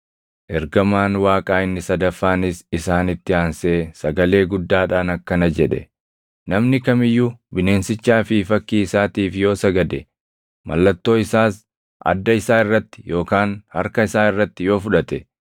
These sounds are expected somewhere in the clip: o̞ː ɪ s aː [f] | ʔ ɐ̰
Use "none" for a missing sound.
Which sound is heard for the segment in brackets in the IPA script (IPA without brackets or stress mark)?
s